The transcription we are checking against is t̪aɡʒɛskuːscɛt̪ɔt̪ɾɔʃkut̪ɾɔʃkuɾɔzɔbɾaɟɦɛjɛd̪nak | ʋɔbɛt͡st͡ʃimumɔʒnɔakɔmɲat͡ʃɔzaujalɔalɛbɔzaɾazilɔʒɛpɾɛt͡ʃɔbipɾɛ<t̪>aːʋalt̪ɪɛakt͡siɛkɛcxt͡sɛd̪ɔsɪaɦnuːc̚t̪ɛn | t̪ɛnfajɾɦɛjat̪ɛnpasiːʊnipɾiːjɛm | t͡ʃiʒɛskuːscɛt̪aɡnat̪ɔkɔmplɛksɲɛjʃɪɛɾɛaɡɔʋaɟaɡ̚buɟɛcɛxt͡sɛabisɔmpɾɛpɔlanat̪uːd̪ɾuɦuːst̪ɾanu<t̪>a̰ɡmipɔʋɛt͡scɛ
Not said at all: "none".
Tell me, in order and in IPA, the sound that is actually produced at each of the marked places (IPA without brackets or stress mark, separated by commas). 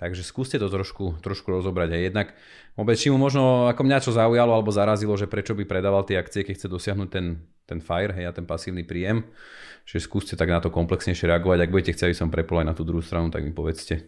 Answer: d̪, t̪